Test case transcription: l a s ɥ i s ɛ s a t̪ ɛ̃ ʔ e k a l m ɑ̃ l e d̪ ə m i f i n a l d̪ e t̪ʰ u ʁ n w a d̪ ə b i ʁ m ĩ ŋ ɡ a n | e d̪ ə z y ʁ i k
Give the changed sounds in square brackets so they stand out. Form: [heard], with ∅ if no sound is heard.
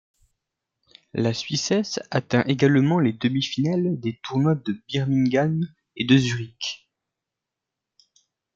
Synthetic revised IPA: l a s ɥ i s ɛ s a t̪ ɛ̃ ʔ e [ɡ] a l m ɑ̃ l e d̪ ə m i f i n a l d̪ e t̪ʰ u ʁ n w a d̪ ə b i ʁ m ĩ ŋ ɡ a n | e d̪ ə z y ʁ i k